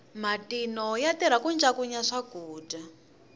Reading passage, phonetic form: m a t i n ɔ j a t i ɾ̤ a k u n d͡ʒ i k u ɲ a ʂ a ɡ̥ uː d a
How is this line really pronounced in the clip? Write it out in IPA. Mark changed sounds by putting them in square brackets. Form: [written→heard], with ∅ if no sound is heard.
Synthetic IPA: m a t i n ɔ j a t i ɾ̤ a k u n d͡ʒ [i→a] k u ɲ a ʂ a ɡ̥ uː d a